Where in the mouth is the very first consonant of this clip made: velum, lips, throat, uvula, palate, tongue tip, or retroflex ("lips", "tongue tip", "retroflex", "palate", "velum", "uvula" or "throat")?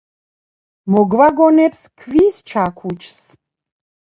lips